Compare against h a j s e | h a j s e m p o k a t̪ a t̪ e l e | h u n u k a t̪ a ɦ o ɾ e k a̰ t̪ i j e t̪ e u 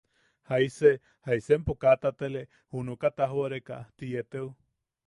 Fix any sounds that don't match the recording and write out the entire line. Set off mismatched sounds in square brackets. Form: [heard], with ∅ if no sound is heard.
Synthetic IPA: h a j s e | h a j s e m p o k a t̪ a t̪ e l e | h u n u k a t̪ a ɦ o ɾ e k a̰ t̪ i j e t̪ e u